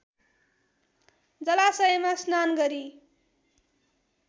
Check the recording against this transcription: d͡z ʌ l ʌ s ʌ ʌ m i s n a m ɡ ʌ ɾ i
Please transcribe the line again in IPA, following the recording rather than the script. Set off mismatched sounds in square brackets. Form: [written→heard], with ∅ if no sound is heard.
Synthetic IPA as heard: d͡z ʌ l [ʌ→a] s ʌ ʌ m [i→a] s n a [m→n] ɡ ʌ ɾ i